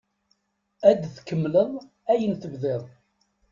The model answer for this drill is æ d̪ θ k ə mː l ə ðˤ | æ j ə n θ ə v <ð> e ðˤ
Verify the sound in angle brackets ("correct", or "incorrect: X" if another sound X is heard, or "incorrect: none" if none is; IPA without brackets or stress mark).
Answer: correct